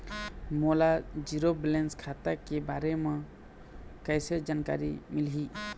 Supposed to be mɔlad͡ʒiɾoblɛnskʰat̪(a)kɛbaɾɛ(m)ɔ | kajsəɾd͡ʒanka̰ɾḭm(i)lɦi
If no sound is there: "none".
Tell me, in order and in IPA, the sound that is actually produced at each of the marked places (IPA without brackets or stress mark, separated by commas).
a, m, i